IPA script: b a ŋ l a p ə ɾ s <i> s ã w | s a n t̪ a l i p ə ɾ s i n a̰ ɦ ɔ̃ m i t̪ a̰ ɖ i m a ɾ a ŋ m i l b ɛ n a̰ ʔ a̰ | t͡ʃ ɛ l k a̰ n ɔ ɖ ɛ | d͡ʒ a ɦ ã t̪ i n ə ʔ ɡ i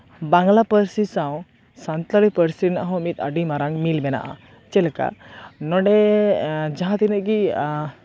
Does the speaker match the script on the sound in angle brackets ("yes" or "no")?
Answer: yes